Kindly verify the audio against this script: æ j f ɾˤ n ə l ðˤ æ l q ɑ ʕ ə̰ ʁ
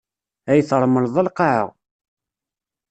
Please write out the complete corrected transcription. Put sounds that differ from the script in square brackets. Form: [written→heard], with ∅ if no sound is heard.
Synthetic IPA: æ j [f→θ] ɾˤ [n→m] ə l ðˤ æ l q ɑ ʕ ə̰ ʁ